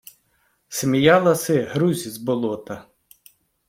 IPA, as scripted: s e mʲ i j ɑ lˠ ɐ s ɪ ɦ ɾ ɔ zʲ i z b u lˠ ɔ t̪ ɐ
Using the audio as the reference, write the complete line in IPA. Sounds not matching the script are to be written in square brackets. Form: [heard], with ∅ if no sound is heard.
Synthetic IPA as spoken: s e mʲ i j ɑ lˠ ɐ s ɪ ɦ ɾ [u] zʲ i z b [ɔ] lˠ ɔ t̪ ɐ

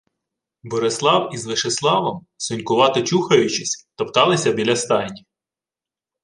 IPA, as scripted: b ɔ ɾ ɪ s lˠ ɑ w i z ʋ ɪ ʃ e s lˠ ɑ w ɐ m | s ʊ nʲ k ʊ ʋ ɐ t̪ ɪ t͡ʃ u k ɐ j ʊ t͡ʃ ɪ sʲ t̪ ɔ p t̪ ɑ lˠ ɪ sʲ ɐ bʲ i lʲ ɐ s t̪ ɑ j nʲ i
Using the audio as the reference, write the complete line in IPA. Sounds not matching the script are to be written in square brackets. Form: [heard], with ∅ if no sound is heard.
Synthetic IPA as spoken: b ɔ ɾ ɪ s lˠ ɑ w i z ʋ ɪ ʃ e s lˠ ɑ [ʋ] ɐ m | s ʊ nʲ k ʊ ʋ [ɑ] t̪ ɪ t͡ʃ u [x] ɐ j ʊ t͡ʃ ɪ sʲ t̪ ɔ p t̪ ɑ lˠ ɪ sʲ ɐ bʲ i lʲ ɐ s t̪ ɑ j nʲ i

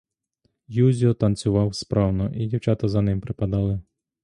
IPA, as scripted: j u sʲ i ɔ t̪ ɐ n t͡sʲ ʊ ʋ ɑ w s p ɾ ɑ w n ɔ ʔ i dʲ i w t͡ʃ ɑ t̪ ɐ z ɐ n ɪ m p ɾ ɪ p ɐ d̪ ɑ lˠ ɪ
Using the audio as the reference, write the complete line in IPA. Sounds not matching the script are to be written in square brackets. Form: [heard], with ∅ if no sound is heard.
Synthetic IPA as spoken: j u [zʲ] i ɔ t̪ ɐ n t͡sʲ ʊ ʋ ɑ w s p ɾ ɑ w n ɔ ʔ i dʲ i w t͡ʃ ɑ t̪ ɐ z ɐ n ɪ m p ɾ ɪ p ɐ d̪ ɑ lˠ ɪ

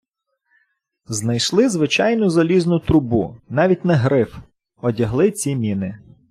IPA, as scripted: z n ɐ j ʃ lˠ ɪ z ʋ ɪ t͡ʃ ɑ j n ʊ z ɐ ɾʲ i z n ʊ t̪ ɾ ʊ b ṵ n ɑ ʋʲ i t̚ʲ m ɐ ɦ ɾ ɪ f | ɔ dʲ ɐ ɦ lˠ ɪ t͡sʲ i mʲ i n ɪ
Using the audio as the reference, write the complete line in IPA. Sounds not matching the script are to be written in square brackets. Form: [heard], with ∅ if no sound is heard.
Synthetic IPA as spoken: z n ɐ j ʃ lˠ ɪ z ʋ ɪ t͡ʃ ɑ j n ʊ z ɐ [lʲ] i z n ʊ t̪ ɾ ʊ b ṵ n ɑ ʋʲ i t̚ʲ [n] ɐ ɦ ɾ ɪ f | ɔ dʲ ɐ ɦ lˠ ɪ t͡sʲ i mʲ i n ɪ

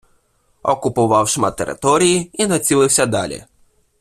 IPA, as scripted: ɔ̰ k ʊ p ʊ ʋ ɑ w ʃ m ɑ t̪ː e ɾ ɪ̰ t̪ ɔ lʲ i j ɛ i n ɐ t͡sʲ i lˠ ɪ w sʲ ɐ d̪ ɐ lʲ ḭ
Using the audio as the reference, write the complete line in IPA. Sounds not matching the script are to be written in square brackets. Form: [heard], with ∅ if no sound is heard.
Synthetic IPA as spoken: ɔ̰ k ʊ p ʊ ʋ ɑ w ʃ m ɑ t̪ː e ɾ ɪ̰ t̪ ɔ [ɾʲ] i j [i] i n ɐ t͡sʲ i lˠ ɪ w sʲ ɐ d̪ [ɑ] lʲ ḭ

